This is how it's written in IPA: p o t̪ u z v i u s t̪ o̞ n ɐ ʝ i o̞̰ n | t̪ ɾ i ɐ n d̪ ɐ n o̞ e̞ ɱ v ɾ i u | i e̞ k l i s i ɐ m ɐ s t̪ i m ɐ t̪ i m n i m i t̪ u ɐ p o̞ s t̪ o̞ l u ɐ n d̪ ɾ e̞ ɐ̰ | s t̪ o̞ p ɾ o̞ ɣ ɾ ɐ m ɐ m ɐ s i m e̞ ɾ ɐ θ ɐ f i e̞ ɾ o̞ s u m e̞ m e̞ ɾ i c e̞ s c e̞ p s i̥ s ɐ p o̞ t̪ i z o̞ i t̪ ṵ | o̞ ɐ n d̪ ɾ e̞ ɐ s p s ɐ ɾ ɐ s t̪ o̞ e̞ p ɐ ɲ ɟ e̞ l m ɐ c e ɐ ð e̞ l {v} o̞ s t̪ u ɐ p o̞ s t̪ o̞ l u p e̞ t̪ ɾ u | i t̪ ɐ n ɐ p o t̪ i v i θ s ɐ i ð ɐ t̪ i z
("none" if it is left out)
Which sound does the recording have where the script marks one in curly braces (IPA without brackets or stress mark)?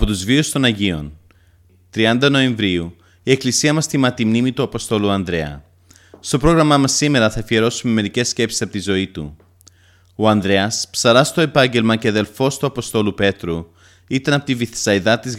f